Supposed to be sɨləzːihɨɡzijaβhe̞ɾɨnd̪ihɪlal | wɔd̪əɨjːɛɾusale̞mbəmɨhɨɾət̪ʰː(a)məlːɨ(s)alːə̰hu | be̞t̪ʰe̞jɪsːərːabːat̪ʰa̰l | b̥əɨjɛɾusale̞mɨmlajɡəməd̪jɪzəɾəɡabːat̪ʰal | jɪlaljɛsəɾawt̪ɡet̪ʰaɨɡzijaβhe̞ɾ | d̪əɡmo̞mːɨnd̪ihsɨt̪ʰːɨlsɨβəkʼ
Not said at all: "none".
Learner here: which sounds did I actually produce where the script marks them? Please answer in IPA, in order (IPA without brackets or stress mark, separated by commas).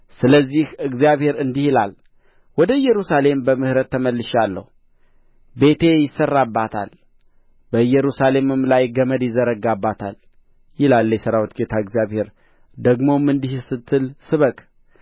ə, ʃ